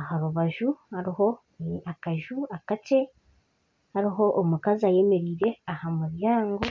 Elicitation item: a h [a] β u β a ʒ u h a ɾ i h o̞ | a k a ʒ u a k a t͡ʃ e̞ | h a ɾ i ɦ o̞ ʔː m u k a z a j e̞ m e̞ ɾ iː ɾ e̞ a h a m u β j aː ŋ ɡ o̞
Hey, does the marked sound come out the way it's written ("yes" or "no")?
yes